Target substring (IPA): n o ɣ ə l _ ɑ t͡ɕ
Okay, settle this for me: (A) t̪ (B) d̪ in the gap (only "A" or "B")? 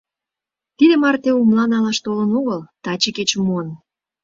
A